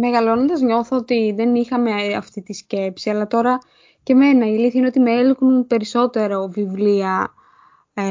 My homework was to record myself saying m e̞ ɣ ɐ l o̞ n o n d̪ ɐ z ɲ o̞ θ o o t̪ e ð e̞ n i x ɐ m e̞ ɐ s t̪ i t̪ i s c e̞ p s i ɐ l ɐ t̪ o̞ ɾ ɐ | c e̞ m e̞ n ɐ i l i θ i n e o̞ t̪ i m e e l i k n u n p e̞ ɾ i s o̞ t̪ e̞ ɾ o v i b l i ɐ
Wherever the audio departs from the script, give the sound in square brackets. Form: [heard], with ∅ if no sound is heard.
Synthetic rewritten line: m e̞ ɣ ɐ l o̞ n o n d̪ ɐ z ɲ o̞ θ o o t̪ [i] ð e̞ n i x ɐ m e̞ ɐ [f] t̪ i t̪ i s c e̞ p s i ɐ l ɐ t̪ o̞ ɾ ɐ | c e̞ m e̞ n ɐ i l i θ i n e o̞ t̪ i m e e l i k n u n p e̞ ɾ i s o̞ t̪ e̞ ɾ o v i [v] l i ɐ